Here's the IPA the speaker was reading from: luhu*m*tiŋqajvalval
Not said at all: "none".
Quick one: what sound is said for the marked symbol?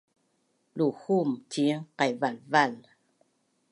m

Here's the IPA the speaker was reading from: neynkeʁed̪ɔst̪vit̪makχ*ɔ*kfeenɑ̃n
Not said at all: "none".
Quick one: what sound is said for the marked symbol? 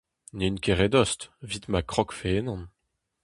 ɔ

